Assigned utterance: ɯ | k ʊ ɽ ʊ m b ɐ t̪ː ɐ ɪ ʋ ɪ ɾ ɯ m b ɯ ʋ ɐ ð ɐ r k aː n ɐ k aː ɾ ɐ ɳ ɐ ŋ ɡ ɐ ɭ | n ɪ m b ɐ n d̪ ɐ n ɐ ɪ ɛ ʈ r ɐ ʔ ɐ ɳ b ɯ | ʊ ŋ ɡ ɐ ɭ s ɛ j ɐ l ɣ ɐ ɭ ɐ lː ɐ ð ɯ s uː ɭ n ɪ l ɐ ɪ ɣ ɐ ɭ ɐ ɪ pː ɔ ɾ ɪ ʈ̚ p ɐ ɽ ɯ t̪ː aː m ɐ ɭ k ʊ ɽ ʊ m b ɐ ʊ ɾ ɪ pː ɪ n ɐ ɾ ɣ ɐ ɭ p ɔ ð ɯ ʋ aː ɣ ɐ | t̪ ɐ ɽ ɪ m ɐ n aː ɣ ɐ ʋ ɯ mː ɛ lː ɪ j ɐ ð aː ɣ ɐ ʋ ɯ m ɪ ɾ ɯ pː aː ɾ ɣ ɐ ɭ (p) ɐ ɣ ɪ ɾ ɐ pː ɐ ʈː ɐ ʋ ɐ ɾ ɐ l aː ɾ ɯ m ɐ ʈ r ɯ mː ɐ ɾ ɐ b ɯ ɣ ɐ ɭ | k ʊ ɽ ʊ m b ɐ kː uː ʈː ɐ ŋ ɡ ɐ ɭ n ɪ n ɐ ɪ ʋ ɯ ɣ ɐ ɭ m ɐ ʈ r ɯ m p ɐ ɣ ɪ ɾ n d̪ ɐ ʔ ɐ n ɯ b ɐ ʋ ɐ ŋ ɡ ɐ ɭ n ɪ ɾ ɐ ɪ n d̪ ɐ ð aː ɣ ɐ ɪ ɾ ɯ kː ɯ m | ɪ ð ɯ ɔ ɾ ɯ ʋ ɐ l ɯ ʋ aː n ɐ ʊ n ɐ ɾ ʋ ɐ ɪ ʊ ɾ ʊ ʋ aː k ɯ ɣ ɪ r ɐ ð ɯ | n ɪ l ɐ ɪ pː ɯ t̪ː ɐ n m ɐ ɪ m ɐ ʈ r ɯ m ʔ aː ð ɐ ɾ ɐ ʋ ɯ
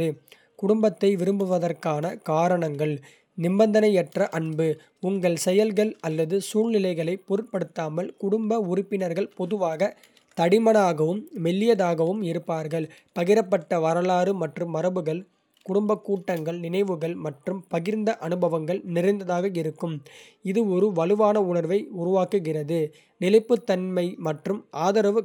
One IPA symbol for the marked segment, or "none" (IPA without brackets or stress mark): p